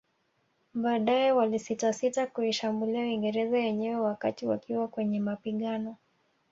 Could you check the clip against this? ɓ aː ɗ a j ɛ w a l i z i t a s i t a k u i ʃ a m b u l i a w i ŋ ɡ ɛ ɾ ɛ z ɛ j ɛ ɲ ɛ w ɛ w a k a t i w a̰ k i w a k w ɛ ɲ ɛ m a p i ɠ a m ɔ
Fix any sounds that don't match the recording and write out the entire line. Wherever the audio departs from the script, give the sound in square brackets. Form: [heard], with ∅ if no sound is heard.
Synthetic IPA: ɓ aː ɗ a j ɛ w a l i [s] i t a s i t a k u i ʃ a m b u l i a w i ŋ ɡ ɛ ɾ ɛ z [a] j ɛ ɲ ɛ w ɛ w a k a t i w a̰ k i w a k w ɛ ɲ ɛ m a p i ɠ a [n] ɔ